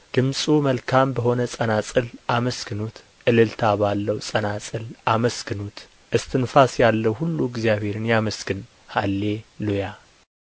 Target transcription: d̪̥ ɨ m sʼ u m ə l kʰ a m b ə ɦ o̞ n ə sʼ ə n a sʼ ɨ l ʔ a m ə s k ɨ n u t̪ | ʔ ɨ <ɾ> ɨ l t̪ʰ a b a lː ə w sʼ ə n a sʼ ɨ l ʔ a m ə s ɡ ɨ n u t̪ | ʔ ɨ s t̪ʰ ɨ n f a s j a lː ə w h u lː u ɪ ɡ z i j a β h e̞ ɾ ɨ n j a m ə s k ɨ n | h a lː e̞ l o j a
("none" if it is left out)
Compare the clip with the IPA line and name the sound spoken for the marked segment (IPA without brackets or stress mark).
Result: l